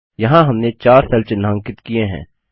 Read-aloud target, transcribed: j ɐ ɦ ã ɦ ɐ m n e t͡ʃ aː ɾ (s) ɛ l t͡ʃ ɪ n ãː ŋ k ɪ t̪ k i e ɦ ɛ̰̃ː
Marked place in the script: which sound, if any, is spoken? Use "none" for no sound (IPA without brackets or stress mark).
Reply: s